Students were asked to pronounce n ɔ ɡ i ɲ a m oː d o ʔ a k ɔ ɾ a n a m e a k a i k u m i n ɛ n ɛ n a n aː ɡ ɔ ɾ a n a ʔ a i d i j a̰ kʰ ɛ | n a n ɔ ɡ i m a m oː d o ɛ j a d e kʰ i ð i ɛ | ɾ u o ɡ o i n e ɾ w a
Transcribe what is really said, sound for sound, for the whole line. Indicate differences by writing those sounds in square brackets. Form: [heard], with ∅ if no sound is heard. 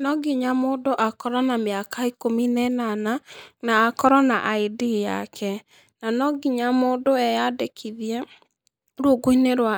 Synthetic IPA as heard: n ɔ ɡ i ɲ a m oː d o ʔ a k ɔ ɾ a n a m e a k a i k [o] m i n ɛ n [a] n a n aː [k] ɔ ɾ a n a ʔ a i d i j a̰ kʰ ɛ | n a n ɔ ɡ i [ɲ] a m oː d o ɛ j a d e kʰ i ð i ɛ | ɾ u o ɡ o i n e ɾ w a